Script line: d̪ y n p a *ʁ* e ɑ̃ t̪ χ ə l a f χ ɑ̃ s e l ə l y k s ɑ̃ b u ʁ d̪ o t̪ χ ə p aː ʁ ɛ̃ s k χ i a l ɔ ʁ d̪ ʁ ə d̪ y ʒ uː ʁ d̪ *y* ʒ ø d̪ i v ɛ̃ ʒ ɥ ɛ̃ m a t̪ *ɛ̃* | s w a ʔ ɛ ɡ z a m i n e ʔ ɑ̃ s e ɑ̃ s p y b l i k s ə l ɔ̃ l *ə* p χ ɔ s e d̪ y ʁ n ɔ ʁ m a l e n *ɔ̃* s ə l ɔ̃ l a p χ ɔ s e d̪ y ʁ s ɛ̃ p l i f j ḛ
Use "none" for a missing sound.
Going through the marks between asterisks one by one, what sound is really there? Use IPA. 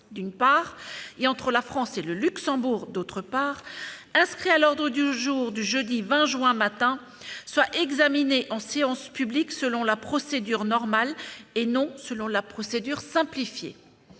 ʁ, y, ɛ̃, a, ɔ̃

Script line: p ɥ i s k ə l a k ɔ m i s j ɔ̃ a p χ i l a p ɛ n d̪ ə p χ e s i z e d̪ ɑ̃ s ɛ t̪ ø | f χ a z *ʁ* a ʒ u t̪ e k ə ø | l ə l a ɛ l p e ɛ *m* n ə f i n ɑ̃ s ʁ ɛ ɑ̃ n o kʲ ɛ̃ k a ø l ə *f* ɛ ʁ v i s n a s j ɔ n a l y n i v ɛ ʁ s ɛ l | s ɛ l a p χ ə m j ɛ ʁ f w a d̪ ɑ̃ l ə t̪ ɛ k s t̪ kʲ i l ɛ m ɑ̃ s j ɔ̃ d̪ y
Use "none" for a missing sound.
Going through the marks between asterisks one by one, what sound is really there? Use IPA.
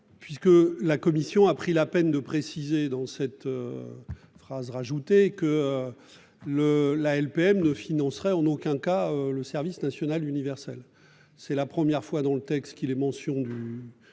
ʁ, m, s

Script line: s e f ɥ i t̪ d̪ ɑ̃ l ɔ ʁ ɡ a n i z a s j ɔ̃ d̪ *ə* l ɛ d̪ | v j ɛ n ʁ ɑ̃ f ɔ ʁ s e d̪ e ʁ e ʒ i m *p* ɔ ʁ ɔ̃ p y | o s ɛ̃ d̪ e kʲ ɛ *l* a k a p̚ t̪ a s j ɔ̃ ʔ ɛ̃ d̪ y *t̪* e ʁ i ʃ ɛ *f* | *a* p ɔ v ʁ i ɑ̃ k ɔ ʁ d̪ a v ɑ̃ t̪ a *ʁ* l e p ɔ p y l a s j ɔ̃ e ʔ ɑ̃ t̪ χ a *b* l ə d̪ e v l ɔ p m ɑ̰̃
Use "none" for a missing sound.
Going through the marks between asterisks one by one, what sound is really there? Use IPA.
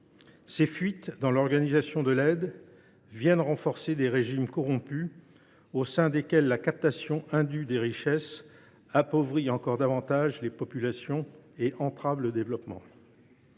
ə, k, lː, d̪, s, a, ʒ, v

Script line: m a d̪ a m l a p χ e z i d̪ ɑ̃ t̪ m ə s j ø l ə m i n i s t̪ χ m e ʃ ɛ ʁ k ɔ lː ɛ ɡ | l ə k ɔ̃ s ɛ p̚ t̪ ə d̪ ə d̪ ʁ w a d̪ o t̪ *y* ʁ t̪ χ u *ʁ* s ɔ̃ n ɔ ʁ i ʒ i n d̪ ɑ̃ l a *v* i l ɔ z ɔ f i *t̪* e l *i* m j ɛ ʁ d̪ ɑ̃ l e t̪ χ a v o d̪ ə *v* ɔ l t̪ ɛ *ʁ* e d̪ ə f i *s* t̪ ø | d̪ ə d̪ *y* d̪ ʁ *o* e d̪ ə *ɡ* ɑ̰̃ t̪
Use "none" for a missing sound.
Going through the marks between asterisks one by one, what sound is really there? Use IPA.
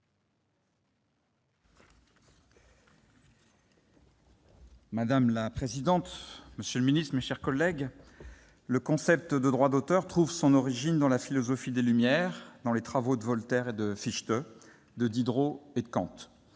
œ, v, f, d̪, y, v, ʁ, ʃ, i, o, k

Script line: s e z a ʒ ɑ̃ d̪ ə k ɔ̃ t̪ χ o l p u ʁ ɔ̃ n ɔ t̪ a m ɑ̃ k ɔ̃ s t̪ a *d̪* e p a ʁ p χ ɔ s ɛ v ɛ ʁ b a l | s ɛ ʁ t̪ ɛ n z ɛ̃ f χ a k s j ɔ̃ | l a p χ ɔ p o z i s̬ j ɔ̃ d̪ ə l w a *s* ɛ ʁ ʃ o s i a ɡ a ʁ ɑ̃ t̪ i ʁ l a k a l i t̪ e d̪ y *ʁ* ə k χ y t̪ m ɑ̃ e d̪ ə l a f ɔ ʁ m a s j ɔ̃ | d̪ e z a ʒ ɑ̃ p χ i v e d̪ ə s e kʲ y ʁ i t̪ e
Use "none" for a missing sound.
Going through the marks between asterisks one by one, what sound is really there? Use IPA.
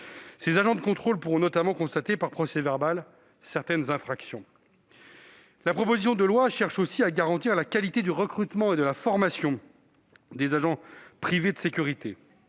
t̪, ʃ, ʁ

